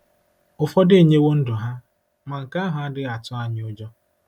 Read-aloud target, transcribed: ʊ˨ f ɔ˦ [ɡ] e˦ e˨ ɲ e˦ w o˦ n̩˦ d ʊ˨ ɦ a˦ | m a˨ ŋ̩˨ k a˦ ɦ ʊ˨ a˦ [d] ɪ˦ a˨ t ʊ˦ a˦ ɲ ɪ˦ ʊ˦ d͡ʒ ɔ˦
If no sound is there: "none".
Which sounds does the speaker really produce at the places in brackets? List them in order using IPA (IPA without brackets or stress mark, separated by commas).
d, d